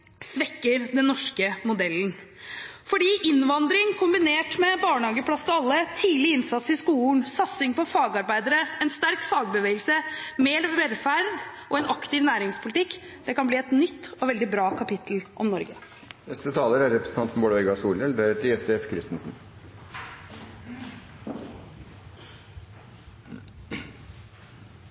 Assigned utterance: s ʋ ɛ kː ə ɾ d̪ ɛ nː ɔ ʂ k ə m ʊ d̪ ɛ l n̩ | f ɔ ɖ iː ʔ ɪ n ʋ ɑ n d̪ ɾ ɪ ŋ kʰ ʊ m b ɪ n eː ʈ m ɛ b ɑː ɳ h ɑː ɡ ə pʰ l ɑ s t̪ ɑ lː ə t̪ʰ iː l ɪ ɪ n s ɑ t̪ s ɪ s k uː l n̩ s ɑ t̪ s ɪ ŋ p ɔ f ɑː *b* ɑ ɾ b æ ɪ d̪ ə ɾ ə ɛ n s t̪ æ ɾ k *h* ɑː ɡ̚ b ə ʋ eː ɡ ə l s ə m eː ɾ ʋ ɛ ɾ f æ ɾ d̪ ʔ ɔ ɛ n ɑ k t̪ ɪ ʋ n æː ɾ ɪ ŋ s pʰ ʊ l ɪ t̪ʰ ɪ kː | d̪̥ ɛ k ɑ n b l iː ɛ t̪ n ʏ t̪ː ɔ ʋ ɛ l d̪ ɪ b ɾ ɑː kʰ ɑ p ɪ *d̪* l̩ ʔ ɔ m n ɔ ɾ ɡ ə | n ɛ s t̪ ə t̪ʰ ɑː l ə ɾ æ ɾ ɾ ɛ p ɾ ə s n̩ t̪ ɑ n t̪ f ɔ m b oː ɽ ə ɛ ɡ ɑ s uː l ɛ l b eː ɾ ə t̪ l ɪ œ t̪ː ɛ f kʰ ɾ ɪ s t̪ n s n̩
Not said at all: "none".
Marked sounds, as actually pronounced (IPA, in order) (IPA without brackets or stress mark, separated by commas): ɡ, f, t̪